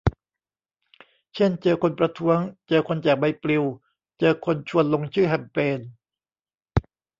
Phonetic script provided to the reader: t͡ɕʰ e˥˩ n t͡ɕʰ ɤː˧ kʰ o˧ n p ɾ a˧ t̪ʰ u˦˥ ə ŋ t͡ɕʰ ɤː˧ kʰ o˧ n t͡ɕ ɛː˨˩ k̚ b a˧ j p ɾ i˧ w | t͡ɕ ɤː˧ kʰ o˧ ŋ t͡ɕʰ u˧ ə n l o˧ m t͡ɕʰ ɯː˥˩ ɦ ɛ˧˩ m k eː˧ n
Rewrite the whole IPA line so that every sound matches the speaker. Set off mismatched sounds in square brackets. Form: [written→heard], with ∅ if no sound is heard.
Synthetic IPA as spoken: t͡ɕʰ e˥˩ n [t͡ɕʰ→t͡ɕ] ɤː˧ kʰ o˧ n p ɾ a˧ t̪ʰ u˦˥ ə ŋ [t͡ɕʰ→t͡ɕ] ɤː˧ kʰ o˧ n t͡ɕ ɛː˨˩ k̚ b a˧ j p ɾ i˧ w | t͡ɕ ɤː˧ kʰ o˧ [ŋ→n] t͡ɕʰ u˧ ə n l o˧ [m→ŋ] t͡ɕʰ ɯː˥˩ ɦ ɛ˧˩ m [k→p] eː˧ n